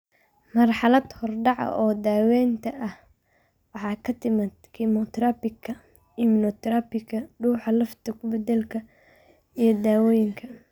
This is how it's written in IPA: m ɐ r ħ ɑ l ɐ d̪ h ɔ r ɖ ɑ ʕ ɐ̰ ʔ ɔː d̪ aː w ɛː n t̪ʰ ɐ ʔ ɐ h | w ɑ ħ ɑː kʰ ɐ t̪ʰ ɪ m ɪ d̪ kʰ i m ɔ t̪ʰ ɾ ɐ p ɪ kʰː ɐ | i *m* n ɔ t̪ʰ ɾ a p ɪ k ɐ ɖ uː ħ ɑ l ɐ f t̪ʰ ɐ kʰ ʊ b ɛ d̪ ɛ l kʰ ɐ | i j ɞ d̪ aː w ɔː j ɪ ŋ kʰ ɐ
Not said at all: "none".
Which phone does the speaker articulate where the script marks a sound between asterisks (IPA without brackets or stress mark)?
m